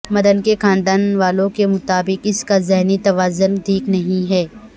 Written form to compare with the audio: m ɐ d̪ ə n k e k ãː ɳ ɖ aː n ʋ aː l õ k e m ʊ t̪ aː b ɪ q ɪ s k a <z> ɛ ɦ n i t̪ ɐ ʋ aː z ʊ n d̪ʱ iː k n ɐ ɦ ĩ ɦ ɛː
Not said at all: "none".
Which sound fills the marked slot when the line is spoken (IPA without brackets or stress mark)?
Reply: z